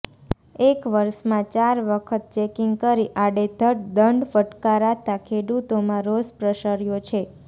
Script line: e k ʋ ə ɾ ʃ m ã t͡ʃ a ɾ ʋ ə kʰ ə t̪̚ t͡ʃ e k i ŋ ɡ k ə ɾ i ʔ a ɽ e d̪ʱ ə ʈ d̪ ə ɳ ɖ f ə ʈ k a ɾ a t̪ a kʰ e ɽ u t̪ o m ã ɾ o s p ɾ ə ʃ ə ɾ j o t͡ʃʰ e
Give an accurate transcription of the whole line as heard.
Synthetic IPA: e k ʋ ə ɾ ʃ m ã t͡ʃ a ɾ ʋ ə kʰ ə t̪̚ t͡ʃ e k i ŋ ɡ k ə ɾ i ʔ a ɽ e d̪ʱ ə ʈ d̪ ə ɳ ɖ f ə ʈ k a ɾ a t̪ a kʰ e ɽ u t̪ o m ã ɾ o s p ɾ ə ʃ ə ɾ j o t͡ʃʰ e